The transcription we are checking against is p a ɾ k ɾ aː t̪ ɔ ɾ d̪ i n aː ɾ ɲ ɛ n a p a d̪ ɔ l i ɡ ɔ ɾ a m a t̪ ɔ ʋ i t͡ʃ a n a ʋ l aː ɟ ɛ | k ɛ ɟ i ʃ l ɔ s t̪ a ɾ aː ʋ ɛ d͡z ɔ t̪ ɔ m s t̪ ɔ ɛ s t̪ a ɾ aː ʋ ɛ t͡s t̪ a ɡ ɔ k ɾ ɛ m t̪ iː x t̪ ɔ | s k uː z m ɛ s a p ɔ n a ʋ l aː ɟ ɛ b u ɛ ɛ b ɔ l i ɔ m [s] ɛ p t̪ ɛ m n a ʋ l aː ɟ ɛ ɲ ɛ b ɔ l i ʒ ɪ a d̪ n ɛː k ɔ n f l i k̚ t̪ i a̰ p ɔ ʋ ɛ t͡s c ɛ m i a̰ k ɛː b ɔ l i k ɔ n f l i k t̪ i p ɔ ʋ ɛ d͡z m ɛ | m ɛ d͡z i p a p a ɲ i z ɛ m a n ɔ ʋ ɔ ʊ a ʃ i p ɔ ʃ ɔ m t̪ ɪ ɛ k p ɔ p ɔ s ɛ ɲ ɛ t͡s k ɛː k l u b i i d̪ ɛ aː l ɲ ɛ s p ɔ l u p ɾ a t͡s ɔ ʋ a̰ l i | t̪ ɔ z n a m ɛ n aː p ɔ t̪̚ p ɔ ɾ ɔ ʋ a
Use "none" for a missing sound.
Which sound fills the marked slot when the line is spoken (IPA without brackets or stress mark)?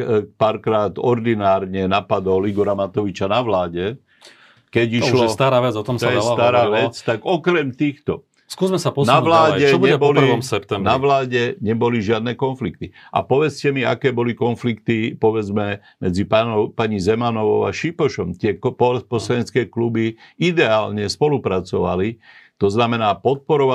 s